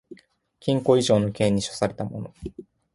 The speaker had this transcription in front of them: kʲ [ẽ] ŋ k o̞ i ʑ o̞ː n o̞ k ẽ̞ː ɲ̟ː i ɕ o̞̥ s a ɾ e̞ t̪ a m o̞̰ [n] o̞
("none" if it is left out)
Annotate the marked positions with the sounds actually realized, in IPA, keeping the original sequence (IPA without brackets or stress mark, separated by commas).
ĩ, n